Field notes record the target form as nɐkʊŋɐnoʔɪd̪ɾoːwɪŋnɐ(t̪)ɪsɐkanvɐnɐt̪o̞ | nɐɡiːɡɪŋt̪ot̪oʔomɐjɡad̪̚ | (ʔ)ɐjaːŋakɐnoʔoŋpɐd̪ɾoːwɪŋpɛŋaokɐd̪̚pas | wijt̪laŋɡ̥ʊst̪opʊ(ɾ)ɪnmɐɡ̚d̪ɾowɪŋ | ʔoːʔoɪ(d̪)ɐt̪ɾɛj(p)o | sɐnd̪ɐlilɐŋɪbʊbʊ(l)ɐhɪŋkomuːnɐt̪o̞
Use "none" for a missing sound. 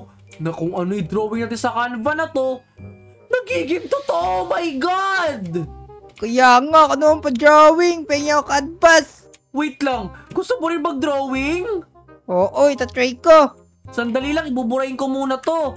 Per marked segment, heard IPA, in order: t̪, k, ɾ, t̪, k, ɾ

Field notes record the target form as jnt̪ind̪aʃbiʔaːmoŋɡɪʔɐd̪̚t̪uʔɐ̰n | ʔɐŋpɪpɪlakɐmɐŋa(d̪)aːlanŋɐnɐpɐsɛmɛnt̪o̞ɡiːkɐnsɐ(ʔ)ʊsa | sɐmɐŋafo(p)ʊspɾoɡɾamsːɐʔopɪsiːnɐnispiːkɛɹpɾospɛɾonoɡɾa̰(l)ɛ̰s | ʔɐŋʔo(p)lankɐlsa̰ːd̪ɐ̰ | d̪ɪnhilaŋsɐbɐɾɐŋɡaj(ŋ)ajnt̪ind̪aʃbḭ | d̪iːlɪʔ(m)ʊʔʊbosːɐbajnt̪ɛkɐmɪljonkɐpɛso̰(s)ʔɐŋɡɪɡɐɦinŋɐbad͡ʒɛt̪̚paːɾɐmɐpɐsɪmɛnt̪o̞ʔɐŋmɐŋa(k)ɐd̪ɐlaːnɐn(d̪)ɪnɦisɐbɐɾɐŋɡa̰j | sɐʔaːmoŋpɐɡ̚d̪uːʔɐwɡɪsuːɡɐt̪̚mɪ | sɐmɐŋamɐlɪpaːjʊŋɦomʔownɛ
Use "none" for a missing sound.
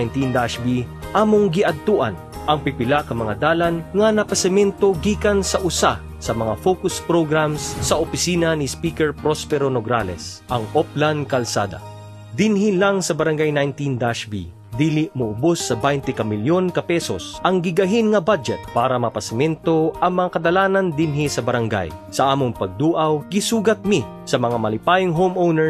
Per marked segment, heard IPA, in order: d̪, ʔ, k, l, p, n, m, s, k, d̪

